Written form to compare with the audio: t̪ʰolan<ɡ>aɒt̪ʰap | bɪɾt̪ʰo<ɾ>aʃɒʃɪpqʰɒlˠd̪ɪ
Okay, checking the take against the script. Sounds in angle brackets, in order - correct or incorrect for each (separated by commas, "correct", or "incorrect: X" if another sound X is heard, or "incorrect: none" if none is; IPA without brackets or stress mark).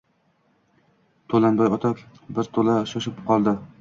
incorrect: b, incorrect: l